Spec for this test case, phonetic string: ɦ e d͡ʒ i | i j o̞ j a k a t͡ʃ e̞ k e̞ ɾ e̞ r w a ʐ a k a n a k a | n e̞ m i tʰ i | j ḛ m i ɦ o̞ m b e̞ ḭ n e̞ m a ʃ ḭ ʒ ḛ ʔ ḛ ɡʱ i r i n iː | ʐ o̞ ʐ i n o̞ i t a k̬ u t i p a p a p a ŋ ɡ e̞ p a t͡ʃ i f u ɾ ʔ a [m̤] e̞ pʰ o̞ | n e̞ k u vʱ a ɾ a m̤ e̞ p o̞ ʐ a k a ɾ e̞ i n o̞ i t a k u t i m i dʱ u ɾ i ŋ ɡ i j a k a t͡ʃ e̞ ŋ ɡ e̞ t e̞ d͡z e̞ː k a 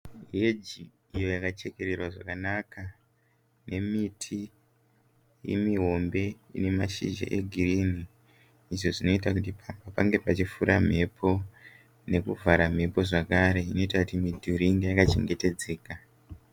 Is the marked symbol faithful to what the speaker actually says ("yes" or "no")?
yes